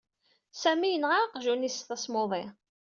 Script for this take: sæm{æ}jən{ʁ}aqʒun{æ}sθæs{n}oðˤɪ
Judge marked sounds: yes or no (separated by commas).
no, yes, no, no